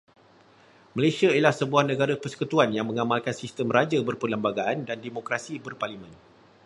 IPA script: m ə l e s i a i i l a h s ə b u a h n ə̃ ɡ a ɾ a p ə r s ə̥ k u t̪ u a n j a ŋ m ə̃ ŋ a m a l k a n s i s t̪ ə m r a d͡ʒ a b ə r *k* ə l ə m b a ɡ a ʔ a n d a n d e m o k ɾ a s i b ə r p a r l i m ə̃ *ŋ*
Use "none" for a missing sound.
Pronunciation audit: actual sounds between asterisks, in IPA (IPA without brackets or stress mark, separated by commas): p, n